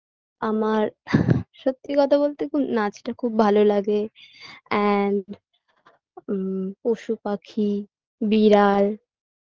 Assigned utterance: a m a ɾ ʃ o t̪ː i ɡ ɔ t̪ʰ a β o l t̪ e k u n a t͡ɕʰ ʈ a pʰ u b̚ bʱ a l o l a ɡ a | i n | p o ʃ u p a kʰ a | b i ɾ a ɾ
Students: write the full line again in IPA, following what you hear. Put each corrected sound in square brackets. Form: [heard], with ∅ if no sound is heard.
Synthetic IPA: a m a ɾ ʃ o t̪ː i [k] ɔ t̪ʰ a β o l t̪ e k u n a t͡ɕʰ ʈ a [kʰ] u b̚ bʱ a l o l a ɡ [e] | [ɛ] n | p o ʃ u p a kʰ [i] | b i ɾ a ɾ